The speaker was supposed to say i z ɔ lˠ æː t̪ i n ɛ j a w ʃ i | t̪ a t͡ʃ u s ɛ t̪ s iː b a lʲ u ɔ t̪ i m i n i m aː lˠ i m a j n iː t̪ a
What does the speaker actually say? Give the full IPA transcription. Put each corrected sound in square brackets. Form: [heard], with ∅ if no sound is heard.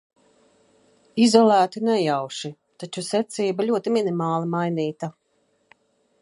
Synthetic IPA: i z ɔ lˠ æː t̪ i n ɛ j a w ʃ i | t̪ a t͡ʃ u s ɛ t̪ s iː b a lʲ u ɔ t̪ i m i n i m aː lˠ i m a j n iː t̪ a